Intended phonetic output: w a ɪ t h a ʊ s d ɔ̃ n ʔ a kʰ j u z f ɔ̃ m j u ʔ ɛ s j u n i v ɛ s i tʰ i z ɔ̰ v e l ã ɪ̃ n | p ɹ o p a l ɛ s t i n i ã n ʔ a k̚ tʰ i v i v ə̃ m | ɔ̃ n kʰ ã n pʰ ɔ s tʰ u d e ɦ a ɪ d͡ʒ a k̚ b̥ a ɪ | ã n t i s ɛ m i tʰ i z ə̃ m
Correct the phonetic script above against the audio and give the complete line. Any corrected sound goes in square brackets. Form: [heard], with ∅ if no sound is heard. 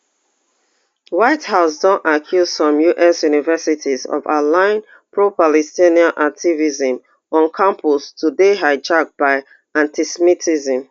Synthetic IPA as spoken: w a ɪ t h a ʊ s d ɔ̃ n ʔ a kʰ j u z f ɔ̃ m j u ʔ ɛ s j u n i v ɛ s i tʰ i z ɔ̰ v [a] l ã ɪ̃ n | p ɹ o p a l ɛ s t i n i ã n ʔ a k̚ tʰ i v i [z] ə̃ m | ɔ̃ n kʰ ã [m] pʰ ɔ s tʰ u d e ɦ a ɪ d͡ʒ a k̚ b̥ a ɪ | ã n t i s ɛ m i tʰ i z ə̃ m